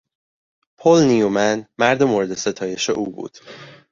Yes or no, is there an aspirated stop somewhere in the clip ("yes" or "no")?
yes